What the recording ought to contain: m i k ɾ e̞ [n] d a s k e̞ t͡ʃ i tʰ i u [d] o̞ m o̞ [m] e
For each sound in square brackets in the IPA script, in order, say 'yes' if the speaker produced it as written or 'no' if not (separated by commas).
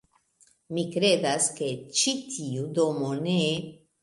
no, yes, no